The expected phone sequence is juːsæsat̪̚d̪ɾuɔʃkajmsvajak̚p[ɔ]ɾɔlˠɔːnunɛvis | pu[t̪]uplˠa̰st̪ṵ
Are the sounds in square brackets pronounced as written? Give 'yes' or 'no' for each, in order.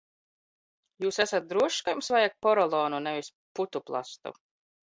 yes, yes

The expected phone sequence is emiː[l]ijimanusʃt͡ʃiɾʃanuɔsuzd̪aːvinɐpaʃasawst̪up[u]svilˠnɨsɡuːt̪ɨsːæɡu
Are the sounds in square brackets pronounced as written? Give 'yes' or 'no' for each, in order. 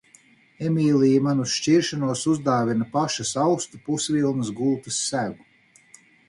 yes, yes

